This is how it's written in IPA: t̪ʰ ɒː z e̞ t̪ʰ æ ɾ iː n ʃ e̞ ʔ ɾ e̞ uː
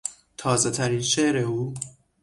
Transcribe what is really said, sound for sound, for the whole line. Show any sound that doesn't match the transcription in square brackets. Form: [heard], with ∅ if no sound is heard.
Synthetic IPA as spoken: t̪ʰ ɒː z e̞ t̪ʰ æ ɾ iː n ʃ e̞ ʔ ɾ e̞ uː